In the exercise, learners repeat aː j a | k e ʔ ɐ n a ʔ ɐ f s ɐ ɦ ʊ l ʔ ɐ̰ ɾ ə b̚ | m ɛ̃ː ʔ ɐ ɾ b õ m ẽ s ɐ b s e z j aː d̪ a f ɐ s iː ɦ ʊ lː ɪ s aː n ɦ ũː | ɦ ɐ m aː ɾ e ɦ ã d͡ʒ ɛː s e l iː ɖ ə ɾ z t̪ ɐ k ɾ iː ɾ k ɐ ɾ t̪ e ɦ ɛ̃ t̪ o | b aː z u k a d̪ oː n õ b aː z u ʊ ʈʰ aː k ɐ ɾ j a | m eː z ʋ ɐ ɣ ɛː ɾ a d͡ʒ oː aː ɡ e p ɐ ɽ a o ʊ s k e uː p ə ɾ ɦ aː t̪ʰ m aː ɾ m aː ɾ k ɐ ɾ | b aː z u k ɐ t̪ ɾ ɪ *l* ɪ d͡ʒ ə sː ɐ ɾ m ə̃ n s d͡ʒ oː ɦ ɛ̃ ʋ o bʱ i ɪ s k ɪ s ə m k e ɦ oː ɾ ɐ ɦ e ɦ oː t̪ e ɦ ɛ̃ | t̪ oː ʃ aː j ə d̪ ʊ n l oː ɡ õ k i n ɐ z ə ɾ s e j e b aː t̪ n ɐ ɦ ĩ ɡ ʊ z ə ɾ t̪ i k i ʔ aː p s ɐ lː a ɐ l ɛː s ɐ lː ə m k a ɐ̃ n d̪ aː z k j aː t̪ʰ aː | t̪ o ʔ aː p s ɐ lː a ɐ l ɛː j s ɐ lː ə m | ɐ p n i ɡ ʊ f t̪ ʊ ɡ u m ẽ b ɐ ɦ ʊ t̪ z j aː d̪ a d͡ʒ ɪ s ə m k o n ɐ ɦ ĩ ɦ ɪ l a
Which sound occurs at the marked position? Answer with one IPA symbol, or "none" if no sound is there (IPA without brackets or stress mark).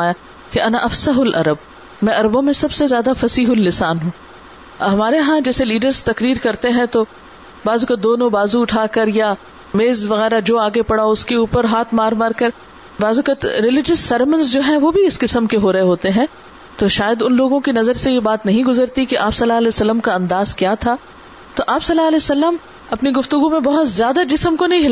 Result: l